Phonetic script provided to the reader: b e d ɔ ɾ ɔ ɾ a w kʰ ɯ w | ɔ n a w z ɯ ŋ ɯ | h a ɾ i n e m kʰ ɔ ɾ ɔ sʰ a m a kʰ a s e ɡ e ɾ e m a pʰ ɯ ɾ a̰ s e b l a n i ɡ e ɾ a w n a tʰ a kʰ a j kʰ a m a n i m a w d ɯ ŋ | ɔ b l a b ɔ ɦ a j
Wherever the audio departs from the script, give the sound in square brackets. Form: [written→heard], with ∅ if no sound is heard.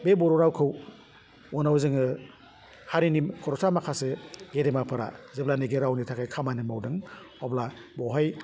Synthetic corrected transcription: b e [d→b] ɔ ɾ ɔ ɾ a w kʰ ɯ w | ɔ n a w z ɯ ŋ ɯ | h a ɾ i n [e→i] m kʰ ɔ ɾ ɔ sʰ a m a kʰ a s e ɡ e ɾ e m a pʰ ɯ ɾ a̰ [s→z] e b l a n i ɡ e ɾ a w n [a→i] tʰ a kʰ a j kʰ a m a n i m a w d ɯ ŋ | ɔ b l a b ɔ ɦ a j